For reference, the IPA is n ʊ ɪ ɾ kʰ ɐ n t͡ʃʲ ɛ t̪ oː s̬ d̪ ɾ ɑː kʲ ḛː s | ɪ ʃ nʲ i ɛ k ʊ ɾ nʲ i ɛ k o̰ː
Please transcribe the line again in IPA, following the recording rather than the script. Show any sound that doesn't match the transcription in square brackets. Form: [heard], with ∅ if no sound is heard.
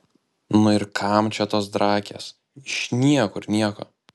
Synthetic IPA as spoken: n ʊ ɪ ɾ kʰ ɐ [m] t͡ʃʲ ɛ t̪ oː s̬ d̪ ɾ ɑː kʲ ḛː s | ɪ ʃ nʲ i ɛ k ʊ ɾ nʲ i ɛ k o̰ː